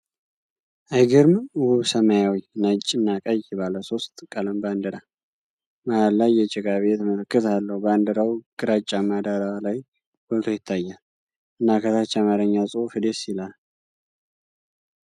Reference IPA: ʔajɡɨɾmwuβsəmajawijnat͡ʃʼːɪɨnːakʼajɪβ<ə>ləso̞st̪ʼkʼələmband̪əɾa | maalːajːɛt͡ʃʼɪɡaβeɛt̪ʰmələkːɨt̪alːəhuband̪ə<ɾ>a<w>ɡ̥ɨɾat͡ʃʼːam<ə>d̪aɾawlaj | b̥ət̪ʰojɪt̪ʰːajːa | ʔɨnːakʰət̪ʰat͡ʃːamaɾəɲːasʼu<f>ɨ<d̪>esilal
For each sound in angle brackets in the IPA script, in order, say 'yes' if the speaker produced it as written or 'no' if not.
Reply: no, yes, yes, no, yes, yes

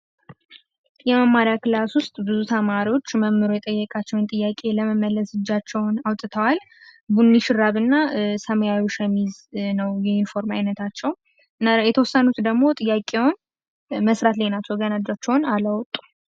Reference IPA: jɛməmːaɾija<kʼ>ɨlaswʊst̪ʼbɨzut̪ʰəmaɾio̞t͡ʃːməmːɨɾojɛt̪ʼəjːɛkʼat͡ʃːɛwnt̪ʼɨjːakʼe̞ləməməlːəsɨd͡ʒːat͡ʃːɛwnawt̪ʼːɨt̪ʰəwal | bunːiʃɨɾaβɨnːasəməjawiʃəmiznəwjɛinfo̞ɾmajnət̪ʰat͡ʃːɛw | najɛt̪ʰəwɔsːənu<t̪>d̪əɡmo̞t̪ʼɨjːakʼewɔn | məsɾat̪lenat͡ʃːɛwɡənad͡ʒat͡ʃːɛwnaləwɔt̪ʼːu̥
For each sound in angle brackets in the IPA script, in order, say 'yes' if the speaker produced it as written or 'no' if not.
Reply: no, yes

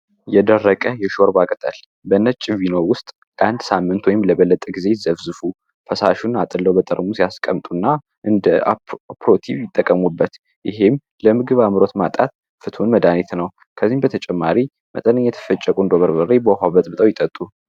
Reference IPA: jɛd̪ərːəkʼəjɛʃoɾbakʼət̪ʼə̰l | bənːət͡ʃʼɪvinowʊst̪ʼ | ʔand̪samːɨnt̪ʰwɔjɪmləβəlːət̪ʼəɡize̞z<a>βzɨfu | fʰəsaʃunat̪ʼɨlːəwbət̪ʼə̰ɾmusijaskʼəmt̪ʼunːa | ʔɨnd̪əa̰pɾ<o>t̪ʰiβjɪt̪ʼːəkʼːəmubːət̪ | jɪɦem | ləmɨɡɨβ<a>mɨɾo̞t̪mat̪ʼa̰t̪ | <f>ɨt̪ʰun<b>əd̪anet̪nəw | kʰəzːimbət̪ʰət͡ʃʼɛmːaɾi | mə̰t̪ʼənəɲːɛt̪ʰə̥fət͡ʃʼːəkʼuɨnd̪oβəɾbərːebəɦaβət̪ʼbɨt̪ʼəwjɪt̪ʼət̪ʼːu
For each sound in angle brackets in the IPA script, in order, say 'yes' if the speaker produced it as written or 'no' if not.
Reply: no, yes, yes, yes, no

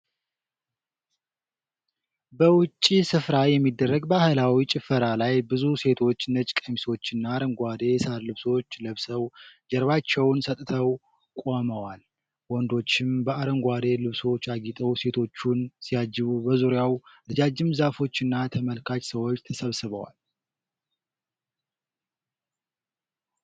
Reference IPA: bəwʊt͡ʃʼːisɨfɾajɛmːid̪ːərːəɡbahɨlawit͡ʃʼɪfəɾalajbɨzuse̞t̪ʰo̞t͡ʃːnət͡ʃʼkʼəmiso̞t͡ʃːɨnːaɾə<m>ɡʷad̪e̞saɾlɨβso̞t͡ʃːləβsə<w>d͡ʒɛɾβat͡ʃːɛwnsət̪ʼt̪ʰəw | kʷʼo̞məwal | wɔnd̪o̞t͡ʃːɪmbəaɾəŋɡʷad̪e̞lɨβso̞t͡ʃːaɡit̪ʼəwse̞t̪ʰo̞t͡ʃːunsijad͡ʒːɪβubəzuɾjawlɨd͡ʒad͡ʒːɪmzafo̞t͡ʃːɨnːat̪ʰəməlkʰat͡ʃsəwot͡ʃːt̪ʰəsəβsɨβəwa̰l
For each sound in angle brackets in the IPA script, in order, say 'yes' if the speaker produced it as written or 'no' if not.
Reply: no, yes

